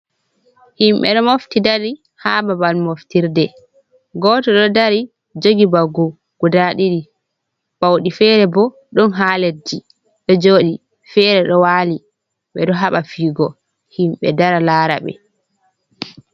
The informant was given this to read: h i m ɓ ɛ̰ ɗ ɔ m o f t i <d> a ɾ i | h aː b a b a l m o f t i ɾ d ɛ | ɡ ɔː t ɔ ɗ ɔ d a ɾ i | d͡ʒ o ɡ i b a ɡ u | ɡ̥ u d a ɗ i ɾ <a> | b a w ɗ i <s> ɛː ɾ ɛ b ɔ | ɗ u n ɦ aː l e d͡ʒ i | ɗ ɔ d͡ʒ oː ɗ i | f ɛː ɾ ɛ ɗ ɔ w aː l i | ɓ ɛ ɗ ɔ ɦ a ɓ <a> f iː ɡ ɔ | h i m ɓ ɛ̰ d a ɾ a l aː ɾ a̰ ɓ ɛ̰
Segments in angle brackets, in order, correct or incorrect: correct, incorrect: i, incorrect: f, correct

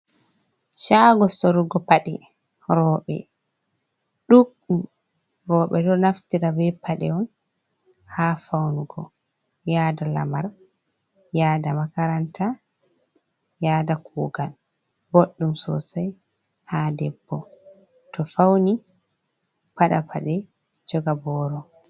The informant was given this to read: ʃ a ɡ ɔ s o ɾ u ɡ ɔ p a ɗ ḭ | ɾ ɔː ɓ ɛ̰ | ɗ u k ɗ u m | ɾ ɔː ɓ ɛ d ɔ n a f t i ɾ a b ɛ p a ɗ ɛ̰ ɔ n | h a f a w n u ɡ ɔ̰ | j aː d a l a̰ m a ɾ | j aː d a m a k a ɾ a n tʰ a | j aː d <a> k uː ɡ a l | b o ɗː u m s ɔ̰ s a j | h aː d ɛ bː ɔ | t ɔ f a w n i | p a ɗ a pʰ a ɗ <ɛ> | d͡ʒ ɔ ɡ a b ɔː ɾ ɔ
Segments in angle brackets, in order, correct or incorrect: correct, correct

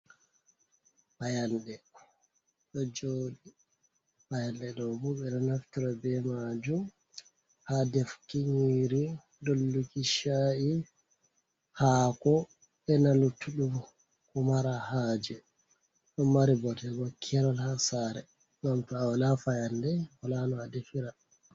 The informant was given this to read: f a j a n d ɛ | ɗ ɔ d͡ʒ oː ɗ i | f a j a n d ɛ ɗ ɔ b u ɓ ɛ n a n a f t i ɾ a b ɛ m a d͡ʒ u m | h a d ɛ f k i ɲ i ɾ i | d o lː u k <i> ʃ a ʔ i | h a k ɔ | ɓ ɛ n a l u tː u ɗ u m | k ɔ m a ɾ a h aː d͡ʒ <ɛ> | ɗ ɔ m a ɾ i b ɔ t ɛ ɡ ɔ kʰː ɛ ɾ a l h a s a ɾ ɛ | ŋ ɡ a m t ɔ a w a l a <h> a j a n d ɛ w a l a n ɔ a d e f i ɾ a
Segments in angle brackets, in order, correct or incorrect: correct, correct, incorrect: f

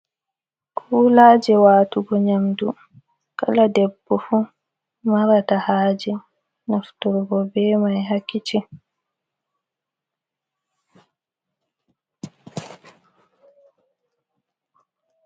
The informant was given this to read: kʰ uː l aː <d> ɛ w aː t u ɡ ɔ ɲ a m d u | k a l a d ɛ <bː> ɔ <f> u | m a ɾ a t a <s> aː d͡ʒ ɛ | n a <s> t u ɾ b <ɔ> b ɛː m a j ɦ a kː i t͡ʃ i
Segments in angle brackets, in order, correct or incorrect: incorrect: d͡ʒ, correct, correct, incorrect: h, incorrect: f, correct

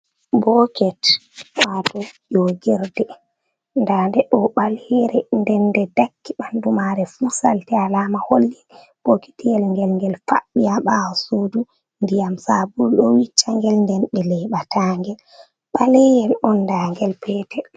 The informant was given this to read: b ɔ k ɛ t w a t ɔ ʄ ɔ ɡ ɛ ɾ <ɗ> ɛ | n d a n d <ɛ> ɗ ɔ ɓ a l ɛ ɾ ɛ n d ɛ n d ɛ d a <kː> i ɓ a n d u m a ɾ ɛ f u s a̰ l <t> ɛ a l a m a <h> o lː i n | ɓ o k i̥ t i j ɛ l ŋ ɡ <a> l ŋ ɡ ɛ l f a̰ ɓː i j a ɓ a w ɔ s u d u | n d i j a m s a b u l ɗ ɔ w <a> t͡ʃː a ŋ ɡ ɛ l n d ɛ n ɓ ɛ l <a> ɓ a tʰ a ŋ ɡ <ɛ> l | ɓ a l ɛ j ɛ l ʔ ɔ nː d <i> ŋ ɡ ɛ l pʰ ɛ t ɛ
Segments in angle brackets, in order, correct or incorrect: incorrect: d, correct, correct, correct, correct, incorrect: ɛ, incorrect: i, incorrect: ɛ, correct, incorrect: a

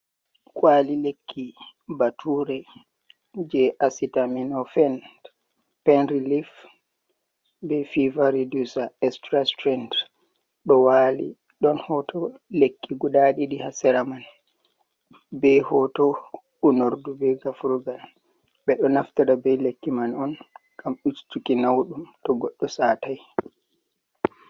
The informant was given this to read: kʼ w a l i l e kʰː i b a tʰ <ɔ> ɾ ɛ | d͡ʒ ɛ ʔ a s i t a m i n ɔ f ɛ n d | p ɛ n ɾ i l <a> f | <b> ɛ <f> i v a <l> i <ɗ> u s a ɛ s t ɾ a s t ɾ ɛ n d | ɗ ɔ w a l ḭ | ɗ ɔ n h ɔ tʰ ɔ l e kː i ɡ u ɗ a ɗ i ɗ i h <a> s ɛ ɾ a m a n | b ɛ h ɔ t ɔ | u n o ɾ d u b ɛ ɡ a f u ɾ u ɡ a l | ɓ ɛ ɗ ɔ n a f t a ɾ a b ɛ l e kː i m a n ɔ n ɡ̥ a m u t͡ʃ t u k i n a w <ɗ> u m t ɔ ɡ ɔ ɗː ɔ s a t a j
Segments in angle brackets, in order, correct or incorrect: incorrect: u, incorrect: i, correct, correct, incorrect: ɾ, incorrect: d, correct, correct

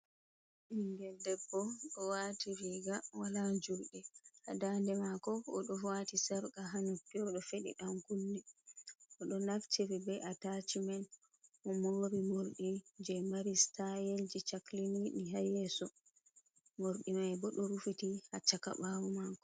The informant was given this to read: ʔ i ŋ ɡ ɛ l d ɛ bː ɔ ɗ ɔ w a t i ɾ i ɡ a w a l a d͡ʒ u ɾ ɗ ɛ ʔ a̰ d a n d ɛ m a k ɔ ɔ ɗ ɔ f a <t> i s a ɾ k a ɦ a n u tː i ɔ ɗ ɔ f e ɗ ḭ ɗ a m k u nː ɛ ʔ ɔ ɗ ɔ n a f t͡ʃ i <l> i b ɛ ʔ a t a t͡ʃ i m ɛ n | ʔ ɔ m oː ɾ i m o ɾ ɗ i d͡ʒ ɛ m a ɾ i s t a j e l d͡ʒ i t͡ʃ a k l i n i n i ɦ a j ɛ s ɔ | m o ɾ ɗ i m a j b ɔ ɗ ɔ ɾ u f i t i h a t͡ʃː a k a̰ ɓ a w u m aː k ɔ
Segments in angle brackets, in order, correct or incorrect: correct, incorrect: ɾ

